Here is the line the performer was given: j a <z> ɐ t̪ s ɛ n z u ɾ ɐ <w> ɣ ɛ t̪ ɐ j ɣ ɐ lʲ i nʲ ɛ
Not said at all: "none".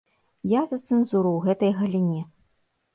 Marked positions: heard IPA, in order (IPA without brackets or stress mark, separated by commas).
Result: z, w